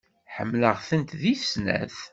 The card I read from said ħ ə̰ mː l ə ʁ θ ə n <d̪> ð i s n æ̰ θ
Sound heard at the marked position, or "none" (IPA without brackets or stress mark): t̪